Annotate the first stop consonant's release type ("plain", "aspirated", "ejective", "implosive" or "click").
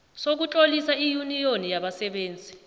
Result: plain